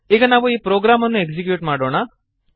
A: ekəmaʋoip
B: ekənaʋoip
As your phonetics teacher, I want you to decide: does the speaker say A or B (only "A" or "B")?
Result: B